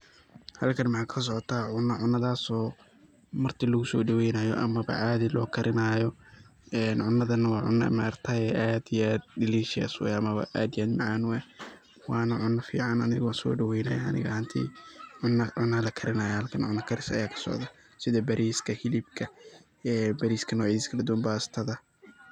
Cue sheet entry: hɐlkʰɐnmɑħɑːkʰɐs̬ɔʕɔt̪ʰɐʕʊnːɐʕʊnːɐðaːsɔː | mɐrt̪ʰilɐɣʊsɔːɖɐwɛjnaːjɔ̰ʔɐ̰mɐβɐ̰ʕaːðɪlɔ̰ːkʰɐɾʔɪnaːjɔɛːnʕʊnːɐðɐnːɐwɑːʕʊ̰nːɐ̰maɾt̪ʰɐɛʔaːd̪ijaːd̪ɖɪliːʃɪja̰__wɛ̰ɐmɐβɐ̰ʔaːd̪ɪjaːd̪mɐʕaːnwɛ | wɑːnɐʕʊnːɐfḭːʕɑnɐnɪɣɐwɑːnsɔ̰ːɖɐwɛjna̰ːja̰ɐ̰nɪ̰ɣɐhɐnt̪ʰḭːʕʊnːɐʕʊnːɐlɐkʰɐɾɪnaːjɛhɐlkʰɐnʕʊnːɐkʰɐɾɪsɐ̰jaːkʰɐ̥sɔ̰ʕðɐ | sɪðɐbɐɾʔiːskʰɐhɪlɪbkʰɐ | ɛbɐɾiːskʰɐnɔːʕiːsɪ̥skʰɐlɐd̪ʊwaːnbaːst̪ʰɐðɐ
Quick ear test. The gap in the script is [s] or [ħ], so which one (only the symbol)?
s